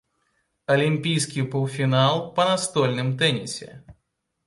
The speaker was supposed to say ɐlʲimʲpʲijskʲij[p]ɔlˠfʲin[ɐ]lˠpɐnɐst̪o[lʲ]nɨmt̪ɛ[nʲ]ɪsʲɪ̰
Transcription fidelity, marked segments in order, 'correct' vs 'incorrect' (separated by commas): correct, incorrect, correct, correct